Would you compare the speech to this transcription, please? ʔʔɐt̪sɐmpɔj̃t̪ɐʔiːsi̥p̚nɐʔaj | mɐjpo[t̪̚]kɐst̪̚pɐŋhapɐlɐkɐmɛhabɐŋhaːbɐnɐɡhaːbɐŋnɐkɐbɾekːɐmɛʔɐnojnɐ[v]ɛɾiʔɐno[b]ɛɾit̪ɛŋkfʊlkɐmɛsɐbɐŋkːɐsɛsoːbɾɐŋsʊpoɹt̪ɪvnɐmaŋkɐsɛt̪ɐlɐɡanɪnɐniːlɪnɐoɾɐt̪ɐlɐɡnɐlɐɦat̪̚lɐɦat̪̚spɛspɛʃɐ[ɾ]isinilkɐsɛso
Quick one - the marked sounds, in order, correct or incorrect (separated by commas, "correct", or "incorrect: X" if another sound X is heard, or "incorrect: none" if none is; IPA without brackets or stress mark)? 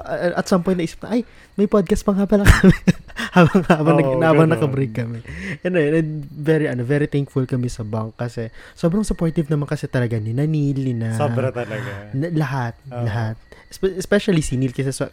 incorrect: d̪̚, correct, incorrect: v, incorrect: l